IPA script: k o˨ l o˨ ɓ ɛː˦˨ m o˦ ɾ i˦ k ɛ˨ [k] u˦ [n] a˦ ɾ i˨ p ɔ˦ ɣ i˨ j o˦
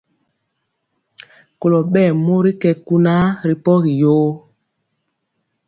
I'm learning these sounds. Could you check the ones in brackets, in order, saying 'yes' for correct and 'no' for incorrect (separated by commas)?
yes, yes